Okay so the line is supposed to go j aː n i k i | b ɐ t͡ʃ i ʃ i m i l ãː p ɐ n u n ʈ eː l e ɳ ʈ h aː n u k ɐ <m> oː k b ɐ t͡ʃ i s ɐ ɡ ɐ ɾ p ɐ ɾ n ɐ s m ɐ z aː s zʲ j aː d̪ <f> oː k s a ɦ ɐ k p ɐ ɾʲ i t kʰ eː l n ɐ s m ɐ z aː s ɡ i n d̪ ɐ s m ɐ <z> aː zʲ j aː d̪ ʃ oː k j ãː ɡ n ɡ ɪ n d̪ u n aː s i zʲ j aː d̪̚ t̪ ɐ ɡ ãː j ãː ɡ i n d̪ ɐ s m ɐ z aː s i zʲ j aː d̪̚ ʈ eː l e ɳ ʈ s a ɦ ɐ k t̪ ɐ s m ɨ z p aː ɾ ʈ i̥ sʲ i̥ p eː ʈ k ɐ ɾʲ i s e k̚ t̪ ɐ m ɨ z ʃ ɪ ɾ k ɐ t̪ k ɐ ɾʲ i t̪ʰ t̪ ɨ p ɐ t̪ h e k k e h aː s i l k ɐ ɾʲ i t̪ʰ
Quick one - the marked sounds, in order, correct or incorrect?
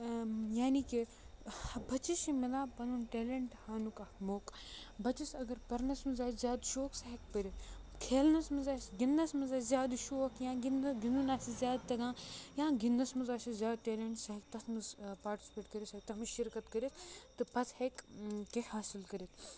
correct, incorrect, correct

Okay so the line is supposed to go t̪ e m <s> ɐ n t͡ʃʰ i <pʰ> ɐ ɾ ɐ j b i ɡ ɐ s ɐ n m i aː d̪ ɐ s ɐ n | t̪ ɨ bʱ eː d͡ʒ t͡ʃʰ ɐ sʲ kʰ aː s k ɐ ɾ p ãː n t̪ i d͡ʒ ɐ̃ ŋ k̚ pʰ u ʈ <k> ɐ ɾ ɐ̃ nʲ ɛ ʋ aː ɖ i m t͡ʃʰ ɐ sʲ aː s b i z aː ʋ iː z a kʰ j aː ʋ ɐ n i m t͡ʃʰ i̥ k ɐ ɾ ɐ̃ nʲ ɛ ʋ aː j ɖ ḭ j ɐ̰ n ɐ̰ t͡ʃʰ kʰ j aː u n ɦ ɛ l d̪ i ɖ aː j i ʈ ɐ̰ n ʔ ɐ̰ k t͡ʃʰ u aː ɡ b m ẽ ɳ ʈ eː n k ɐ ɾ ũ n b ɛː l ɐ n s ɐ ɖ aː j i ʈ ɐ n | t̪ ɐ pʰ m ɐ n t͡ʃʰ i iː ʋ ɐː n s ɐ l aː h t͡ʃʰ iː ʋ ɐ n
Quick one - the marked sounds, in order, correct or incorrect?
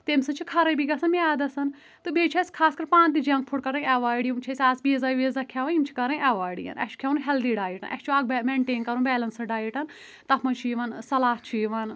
correct, incorrect, correct

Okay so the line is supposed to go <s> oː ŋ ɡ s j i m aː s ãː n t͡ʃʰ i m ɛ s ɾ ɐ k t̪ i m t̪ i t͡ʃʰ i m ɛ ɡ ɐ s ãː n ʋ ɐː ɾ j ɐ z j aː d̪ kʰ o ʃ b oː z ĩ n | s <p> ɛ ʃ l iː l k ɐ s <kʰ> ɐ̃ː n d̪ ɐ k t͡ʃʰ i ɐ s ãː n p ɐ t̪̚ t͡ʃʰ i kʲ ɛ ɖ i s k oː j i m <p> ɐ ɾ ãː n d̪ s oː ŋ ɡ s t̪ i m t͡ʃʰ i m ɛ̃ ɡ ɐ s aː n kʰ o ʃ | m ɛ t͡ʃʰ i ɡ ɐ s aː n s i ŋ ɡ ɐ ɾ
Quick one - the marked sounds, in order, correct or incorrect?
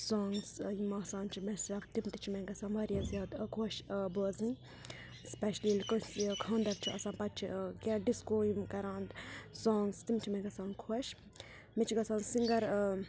correct, correct, correct, incorrect

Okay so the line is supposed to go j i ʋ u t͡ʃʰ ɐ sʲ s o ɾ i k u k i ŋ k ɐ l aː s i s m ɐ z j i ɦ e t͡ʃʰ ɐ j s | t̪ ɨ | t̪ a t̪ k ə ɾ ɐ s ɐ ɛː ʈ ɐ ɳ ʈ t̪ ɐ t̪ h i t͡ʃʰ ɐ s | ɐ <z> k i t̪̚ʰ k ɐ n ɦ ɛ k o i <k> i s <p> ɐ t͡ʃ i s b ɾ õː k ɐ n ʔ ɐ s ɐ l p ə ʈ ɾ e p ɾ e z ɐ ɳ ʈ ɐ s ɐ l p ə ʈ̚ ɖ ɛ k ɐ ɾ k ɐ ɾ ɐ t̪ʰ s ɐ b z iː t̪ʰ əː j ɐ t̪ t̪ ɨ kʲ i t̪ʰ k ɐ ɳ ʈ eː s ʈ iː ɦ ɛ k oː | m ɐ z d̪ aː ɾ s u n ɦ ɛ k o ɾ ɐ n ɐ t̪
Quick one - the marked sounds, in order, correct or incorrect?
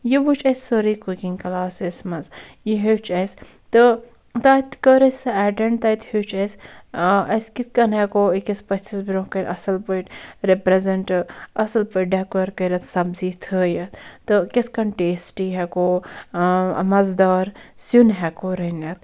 incorrect, correct, correct

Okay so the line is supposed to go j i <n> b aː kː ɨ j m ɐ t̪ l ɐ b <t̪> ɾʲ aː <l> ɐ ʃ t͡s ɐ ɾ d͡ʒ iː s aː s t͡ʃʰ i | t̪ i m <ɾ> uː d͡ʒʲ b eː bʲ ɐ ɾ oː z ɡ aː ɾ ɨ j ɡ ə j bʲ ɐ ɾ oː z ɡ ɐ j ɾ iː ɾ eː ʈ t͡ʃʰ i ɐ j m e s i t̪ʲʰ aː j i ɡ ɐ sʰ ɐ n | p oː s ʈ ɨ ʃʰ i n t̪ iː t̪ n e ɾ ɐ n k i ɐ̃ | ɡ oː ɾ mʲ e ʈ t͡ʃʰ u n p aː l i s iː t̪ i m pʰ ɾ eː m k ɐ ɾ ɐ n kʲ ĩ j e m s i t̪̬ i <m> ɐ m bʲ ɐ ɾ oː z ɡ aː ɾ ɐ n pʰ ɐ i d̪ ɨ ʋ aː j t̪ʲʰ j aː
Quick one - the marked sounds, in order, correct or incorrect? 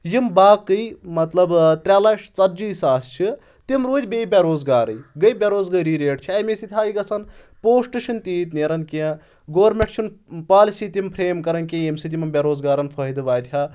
incorrect, correct, correct, correct, correct

